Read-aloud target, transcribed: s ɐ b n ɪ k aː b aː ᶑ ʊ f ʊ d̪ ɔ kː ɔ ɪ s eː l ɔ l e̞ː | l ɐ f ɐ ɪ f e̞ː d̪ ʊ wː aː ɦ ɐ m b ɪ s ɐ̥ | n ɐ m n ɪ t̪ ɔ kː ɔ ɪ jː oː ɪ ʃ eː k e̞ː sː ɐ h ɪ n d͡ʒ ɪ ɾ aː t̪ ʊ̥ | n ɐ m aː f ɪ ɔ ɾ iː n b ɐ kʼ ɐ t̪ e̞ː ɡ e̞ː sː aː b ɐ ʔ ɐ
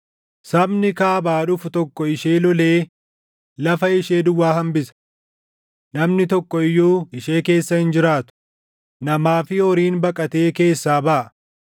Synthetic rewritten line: s ɐ b n ɪ k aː b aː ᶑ ʊ f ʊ t̪ ɔ kː ɔ ɪ ʃ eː l ɔ l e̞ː | l ɐ f ɐ ɪ ʃ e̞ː d̪ ʊ wː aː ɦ ɐ m b ɪ s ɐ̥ | n ɐ m n ɪ t̪ ɔ kː ɔ ɪ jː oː ɪ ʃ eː k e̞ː sː ɐ h ɪ n d͡ʒ ɪ ɾ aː t̪ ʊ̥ | n ɐ m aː f ɪ ɔ ɾ iː n b ɐ kʼ ɐ t̪ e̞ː k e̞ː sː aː b ɐ ʔ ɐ